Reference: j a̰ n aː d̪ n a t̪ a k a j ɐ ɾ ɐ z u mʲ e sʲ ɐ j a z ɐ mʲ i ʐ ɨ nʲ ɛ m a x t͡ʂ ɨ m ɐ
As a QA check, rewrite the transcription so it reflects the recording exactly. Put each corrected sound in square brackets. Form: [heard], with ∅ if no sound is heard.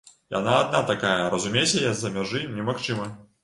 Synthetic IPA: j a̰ n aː d̪ n a t̪ a k a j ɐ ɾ ɐ z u mʲ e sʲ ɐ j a z ɐ mʲ [a] ʐ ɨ nʲ ɛ m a x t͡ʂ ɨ m ɐ